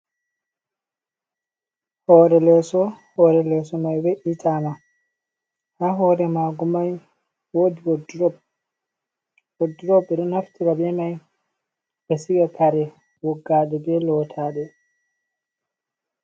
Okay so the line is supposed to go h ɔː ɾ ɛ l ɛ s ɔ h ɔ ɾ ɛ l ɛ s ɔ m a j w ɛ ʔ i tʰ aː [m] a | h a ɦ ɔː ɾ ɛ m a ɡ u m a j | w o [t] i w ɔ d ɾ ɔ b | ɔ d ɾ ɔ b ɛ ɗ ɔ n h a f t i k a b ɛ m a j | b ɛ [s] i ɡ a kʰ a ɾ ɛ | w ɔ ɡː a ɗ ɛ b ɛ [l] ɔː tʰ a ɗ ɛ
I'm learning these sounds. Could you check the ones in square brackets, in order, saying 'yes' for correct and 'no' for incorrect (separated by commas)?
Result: yes, no, yes, yes